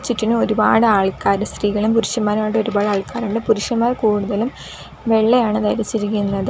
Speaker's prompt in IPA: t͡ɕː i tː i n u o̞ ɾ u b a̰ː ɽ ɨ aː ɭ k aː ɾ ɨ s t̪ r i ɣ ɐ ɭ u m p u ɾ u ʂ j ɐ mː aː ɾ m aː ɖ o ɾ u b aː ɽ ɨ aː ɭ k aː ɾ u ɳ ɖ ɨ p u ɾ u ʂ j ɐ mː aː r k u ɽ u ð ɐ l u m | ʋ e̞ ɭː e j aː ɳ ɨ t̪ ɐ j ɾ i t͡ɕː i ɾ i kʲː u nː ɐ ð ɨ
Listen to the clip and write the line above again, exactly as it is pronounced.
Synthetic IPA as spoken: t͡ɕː i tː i n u o̞ ɾ u b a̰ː ɽ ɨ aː ɭ k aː ɾ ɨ s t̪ r iː ɣ ɐ ɭ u m p u ɾ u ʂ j ɐ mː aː ɾ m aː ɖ o ɾ u b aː ɽ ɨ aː ɭ k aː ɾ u ɳ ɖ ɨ p u ɾ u ʂ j ɐ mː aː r k uː ɽ u ð ɐ l u m | ʋ e̞ ɭː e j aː ɳ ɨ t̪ ɐ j ɾ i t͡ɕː i ɾ i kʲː u nː ɐ ð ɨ